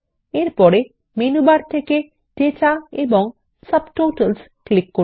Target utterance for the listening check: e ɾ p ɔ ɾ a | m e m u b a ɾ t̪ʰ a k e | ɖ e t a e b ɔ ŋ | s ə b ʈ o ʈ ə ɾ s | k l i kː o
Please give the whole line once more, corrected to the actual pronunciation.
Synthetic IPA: e ɾ p ɔ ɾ e | m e n u b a ɾ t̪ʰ e k e | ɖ e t a e b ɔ ŋ | s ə b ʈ o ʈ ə l s | k l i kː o